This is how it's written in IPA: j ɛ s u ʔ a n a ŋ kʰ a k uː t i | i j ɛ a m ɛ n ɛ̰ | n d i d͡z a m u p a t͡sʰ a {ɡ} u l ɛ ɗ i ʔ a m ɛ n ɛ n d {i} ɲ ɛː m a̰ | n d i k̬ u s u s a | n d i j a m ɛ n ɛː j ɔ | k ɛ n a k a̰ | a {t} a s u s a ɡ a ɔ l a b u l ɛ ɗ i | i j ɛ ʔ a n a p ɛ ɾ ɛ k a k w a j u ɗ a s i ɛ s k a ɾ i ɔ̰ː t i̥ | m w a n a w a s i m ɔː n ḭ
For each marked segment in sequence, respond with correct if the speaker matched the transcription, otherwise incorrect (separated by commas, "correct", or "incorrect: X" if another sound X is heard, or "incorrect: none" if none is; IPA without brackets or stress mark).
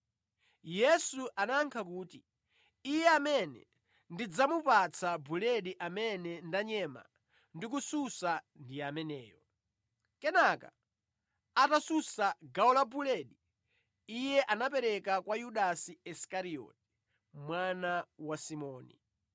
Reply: incorrect: b, incorrect: a, correct